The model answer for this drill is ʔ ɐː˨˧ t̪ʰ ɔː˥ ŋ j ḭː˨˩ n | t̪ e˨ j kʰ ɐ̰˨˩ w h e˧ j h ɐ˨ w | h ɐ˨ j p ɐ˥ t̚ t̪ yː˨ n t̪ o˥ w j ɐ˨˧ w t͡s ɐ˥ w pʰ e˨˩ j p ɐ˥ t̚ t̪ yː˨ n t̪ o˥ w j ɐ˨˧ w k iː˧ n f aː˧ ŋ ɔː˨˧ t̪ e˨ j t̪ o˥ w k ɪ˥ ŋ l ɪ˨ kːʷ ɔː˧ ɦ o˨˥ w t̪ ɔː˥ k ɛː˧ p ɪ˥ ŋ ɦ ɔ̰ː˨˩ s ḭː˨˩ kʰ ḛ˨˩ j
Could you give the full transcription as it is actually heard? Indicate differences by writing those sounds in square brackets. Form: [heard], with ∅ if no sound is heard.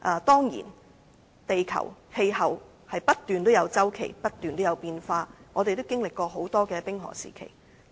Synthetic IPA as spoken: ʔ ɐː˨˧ [t̪] ɔː˥ ŋ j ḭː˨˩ n | t̪ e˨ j kʰ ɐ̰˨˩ w h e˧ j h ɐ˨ w | h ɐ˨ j p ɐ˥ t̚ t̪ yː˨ n t̪ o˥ w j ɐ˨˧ w t͡s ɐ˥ w [kʰ] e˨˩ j p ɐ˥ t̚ t̪ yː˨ n t̪ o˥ w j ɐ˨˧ w [p] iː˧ n f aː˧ ŋ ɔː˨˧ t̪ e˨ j t̪ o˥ w k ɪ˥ ŋ l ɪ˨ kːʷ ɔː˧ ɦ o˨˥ w t̪ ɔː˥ k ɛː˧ p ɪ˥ ŋ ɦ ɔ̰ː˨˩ s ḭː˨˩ kʰ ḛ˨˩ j

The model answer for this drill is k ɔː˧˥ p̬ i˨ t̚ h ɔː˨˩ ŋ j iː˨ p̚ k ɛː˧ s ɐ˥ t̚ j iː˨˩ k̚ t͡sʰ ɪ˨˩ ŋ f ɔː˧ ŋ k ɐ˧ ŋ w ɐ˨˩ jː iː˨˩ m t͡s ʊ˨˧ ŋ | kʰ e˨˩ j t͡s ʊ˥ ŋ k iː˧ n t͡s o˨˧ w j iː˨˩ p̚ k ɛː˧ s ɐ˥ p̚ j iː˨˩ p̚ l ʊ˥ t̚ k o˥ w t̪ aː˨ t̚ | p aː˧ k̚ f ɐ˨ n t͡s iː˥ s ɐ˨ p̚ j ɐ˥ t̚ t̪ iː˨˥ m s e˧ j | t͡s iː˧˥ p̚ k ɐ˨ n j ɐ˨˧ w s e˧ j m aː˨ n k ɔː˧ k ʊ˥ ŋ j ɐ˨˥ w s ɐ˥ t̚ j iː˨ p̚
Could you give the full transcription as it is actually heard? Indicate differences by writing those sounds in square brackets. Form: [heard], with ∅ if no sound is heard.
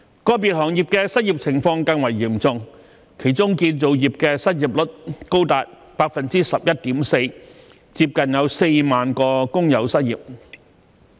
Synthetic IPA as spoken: k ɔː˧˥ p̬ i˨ t̚ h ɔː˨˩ ŋ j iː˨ p̚ k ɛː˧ s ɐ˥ t̚ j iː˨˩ [p̚] t͡sʰ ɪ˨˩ ŋ f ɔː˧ ŋ k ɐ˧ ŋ w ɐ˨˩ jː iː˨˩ m t͡s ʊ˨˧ ŋ | kʰ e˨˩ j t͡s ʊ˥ ŋ k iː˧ n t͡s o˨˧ w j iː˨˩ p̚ k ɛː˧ s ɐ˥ [t̚] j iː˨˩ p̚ l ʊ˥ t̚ k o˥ w t̪ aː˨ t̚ | p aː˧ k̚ f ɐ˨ n t͡s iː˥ s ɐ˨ p̚ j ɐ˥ t̚ t̪ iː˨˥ m s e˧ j | t͡s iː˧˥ p̚ k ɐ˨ n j ɐ˨˧ w s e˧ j m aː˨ n k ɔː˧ k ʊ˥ ŋ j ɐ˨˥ w s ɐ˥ t̚ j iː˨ p̚

